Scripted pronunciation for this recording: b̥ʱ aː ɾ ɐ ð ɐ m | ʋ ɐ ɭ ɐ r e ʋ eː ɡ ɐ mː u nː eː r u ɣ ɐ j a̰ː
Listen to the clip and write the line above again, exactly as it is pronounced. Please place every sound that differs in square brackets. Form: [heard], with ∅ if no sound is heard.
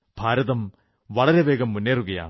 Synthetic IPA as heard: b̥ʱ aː ɾ ɐ ð ɐ m | ʋ ɐ ɭ ɐ [ɾ] e ʋ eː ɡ ɐ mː u nː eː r u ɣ ɐ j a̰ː